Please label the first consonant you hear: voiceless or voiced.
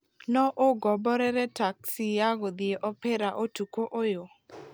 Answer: voiced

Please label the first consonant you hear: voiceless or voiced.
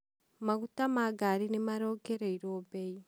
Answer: voiced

